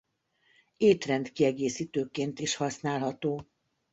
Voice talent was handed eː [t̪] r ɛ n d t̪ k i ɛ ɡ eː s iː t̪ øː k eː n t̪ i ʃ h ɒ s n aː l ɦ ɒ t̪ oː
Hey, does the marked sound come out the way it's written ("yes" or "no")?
yes